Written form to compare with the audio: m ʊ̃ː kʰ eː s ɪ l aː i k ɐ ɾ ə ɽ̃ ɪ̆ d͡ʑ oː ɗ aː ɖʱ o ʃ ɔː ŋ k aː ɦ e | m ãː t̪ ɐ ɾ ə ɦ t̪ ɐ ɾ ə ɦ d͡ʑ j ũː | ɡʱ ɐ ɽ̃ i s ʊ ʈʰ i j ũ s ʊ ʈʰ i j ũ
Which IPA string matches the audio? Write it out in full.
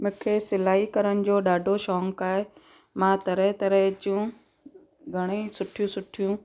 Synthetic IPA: m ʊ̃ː kʰ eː s ɪ l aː i k ɐ ɾ ə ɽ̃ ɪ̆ d͡ʑ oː ɗ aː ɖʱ o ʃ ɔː ŋ k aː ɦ e | m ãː t̪ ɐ ɾ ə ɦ t̪ ɐ ɾ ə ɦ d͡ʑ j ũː | ɡʱ ɐ ɽ̃ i s ʊ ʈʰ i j ũ s ʊ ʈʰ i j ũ